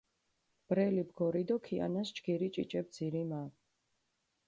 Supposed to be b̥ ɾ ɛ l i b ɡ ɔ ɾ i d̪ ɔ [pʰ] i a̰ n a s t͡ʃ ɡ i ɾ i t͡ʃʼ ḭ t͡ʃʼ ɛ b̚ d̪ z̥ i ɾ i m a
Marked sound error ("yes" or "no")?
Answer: yes